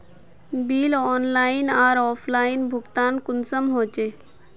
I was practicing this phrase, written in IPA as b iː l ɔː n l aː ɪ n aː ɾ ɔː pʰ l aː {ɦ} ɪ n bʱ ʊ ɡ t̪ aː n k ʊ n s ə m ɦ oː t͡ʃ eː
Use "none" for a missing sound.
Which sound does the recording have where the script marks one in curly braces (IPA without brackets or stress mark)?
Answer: none